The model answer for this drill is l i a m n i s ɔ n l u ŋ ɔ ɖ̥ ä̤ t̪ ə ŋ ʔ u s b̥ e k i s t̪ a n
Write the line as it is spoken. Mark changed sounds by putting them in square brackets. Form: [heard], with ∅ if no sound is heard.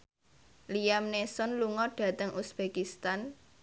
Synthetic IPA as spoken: l i a m n [e] s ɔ n l u ŋ ɔ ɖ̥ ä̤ t̪ ə ŋ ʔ u s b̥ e k i s t̪ a n

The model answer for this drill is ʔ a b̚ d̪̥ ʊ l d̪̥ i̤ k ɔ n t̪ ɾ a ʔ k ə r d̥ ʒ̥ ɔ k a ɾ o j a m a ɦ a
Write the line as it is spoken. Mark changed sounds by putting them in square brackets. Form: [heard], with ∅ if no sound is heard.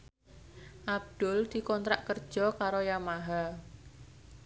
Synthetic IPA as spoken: ʔ a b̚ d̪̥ ʊ l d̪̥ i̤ k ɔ n t̪ ɾ a ʔ k ə r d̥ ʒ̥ ɔ k a ɾ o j a m a ɦ a

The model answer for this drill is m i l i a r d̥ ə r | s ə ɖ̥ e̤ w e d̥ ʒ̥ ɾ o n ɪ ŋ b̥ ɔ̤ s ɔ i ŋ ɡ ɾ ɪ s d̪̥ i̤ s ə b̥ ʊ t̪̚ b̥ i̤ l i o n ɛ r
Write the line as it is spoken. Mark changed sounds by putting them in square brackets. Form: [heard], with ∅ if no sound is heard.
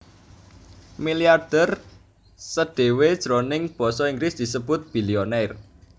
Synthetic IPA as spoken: m i l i a r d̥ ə r | s ə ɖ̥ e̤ w e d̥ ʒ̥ ɾ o n ɪ ŋ b̥ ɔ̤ s ɔ i ŋ ɡ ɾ ɪ s d̪̥ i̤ s ə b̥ ʊ t̪̚ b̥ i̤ l i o n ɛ r

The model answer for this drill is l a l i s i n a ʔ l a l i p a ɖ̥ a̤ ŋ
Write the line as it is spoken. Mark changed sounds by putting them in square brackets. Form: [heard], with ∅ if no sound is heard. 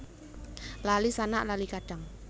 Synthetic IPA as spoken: l a l i s [a] n a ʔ l a l i [k] a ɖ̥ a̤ ŋ

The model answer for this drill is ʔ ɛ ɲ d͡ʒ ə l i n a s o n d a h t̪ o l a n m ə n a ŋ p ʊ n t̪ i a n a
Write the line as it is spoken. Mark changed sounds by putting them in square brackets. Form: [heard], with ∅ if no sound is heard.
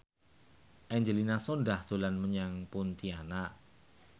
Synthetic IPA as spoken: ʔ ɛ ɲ d͡ʒ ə l i n a s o n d a h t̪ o l a n m ə [ɲ] a ŋ p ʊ n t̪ i a n a

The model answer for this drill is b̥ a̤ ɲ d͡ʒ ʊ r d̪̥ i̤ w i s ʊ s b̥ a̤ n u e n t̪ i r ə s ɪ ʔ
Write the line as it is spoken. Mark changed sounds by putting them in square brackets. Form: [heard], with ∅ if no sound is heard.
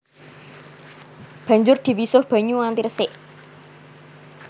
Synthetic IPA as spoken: b̥ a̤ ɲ d͡ʒ ʊ r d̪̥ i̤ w i s ʊ [h] b̥ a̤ [ɲ] u [a] n t̪ i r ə s ɪ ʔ

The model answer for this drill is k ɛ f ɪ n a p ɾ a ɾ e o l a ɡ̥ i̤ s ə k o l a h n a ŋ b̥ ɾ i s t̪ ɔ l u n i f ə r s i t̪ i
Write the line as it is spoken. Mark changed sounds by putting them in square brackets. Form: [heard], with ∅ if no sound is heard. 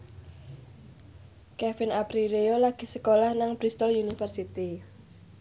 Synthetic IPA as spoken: k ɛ f ɪ n a p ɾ [i] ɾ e o l a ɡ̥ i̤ s ə k o l a h n a ŋ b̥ ɾ i s t̪ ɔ l u n i f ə r s i t̪ i

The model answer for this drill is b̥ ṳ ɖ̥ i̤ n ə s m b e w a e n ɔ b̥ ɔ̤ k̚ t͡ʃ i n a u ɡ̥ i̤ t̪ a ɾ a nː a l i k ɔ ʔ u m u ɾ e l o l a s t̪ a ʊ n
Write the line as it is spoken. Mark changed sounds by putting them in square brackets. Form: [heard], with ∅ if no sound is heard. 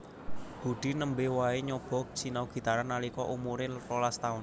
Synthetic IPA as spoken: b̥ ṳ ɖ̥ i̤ n ə [∅] m b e w a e [ɲ] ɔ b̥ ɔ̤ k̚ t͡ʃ i n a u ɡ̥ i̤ t̪ a ɾ a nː a l i k ɔ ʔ u m u ɾ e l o l a s t̪ a ʊ n

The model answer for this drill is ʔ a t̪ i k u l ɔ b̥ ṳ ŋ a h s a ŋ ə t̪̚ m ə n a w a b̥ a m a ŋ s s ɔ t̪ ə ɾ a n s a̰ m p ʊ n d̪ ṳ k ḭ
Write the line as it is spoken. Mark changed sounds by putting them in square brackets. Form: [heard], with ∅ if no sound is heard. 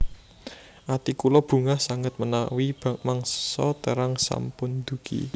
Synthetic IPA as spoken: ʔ a t̪ i k u l ɔ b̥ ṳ ŋ a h s a ŋ ə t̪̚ m ə n a w [i] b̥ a m a ŋ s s ɔ t̪ ə ɾ a [ŋ] s a̰ m p ʊ n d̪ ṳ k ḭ

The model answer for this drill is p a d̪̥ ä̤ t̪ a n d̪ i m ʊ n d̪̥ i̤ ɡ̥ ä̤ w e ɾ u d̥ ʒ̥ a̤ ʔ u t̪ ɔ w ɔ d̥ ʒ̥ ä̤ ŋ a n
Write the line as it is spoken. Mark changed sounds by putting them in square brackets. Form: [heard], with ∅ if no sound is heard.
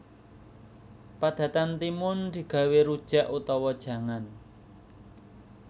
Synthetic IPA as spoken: p a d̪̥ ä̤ t̪ a n [t̪] i m ʊ n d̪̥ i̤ ɡ̥ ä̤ w e ɾ u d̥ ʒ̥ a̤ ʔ u t̪ ɔ w ɔ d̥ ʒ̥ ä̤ ŋ a n

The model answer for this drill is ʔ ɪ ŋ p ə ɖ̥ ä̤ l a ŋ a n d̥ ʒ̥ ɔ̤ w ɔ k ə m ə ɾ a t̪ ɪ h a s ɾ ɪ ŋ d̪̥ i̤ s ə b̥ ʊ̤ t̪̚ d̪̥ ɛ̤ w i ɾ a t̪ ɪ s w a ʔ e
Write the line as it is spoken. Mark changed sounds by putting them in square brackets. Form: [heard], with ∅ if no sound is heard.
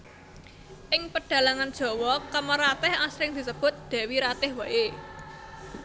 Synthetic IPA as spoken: ʔ ɪ ŋ p ə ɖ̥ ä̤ l a ŋ a n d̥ ʒ̥ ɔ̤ w ɔ k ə m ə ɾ a t̪ ɪ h a s ɾ ɪ ŋ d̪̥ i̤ s ə b̥ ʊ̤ t̪̚ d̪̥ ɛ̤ w i ɾ a t̪ ɪ [h] w a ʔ e

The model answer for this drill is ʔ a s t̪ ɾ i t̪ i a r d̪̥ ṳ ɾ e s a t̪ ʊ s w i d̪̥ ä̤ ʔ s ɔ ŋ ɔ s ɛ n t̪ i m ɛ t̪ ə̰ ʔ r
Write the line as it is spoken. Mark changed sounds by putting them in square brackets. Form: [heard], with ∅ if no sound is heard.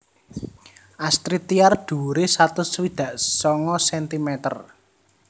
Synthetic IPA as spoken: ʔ a s t̪ ɾ i t̪ i a r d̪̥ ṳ ɾ e s a t̪ ʊ s w i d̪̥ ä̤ ʔ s ɔ ŋ ɔ s ɛ n t̪ i m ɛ t̪ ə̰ [∅] r

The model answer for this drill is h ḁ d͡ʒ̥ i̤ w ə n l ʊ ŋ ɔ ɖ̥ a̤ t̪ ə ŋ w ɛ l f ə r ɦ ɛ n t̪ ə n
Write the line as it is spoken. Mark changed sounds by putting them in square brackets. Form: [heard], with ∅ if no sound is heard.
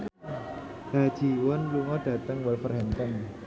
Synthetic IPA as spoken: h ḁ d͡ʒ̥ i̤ w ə n l [u] ŋ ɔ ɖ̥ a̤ t̪ ə ŋ w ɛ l f ə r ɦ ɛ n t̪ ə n

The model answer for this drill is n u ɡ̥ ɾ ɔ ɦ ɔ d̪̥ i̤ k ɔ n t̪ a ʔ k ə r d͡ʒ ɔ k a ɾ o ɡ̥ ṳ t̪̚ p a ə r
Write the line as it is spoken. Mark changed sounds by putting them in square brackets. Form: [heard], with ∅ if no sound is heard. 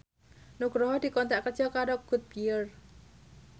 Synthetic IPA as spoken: n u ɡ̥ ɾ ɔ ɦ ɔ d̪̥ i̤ k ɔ n t̪ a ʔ k ə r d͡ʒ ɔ k a ɾ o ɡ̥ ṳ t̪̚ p [i] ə r

